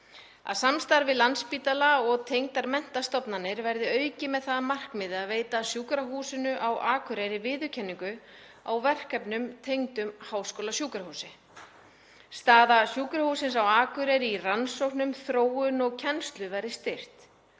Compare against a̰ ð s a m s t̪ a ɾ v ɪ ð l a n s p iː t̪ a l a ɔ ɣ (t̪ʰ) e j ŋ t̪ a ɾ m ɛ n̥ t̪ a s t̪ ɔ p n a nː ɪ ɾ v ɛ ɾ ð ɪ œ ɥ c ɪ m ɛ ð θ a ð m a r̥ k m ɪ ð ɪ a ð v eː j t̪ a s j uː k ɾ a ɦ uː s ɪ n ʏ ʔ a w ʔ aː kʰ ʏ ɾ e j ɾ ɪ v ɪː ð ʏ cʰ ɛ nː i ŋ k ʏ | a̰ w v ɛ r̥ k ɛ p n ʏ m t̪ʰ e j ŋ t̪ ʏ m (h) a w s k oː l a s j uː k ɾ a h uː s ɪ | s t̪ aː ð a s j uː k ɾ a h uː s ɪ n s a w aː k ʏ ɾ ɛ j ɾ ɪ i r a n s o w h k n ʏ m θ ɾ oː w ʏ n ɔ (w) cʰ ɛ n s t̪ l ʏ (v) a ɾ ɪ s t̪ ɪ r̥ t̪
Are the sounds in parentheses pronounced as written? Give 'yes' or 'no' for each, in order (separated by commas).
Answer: yes, yes, no, yes